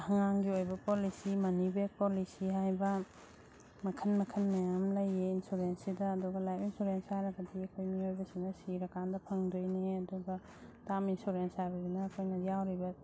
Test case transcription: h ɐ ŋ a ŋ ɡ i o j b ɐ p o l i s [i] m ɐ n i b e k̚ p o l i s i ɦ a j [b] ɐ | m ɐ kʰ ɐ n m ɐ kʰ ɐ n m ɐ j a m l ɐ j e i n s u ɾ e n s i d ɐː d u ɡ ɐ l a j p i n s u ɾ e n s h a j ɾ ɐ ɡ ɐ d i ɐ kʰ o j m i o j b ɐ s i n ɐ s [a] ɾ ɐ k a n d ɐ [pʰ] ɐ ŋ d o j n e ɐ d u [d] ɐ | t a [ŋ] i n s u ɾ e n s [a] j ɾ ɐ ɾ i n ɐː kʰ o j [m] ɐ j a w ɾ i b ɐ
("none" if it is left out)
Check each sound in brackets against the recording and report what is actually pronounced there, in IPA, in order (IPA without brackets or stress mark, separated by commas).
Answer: i, b, i, pʰ, ɡ, m, a, n